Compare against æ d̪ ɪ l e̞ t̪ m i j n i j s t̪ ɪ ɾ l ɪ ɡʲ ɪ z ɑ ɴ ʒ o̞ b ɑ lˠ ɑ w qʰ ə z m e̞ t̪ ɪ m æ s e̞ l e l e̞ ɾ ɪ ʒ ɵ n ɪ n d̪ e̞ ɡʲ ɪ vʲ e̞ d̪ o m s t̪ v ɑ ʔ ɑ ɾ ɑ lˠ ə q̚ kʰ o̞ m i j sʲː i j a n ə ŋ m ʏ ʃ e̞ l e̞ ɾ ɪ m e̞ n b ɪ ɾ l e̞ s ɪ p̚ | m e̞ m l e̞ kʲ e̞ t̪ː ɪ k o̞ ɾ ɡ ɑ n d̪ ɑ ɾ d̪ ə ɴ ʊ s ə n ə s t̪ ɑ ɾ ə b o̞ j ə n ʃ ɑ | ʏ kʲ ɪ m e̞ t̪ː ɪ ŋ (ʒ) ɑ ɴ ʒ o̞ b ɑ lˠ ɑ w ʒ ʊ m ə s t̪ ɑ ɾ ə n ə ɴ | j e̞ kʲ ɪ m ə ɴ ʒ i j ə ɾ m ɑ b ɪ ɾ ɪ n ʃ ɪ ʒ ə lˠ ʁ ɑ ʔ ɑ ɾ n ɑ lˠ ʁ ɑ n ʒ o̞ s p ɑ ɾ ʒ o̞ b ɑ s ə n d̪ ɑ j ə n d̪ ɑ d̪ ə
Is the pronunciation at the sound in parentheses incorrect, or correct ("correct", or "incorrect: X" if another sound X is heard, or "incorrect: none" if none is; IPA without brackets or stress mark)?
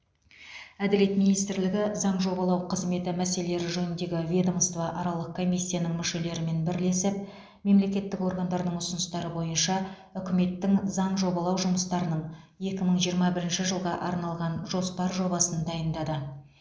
incorrect: z